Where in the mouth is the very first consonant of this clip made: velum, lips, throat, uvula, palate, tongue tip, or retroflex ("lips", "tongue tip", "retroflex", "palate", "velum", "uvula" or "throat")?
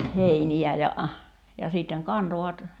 throat